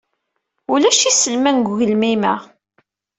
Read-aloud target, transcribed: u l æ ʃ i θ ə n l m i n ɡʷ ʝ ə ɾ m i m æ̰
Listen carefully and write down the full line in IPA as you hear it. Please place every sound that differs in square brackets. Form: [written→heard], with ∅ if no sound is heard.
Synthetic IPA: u l æ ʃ i [θ→s] ə [n→∅] l m [i→æ] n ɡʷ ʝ ə [ɾ→l] m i m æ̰